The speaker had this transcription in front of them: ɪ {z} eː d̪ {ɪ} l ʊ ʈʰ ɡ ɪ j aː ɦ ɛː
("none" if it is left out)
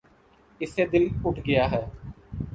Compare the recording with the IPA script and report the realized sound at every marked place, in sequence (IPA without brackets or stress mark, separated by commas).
s, ɪ